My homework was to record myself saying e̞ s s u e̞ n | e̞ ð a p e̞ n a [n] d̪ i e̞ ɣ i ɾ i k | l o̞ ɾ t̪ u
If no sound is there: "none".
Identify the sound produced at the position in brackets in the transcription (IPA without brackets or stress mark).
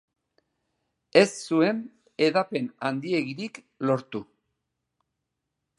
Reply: n